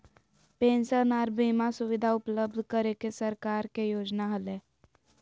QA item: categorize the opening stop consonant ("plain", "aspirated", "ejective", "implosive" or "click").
plain